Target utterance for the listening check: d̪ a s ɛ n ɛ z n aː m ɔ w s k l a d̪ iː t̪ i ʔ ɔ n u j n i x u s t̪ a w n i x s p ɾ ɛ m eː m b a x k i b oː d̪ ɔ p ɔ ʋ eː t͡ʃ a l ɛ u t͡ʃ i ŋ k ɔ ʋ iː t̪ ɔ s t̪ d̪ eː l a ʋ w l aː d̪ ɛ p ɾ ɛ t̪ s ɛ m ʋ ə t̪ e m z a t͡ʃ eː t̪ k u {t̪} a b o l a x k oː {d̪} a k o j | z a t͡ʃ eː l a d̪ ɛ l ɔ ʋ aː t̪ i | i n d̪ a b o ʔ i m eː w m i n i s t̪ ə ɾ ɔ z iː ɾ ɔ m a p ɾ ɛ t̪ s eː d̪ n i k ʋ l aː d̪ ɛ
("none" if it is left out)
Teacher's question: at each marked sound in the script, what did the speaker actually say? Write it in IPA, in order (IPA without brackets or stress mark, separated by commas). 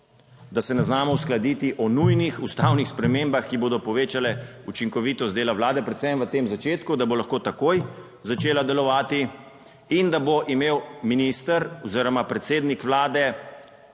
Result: d̪, t̪